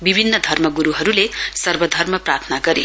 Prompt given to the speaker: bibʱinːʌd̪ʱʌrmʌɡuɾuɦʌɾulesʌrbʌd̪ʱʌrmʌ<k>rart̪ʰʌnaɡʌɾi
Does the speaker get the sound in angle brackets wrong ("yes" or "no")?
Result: yes